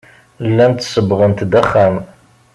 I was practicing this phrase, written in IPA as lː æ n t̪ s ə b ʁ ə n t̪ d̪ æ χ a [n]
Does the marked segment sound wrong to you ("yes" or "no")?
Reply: yes